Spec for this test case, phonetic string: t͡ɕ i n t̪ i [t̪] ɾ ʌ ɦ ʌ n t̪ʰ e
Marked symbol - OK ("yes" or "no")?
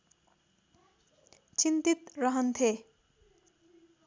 yes